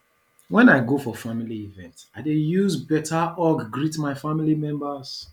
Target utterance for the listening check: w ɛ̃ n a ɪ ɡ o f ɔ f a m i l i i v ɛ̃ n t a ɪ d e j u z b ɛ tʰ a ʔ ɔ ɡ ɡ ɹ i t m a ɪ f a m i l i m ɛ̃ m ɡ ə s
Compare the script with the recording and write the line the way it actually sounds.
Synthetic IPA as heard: w ɛ̃ n a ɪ ɡ o f ɔ f a m i l i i v ɛ̃ n t a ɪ d e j u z b ɛ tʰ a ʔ ɔ ɡ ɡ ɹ i t m a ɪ f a m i l i m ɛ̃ m b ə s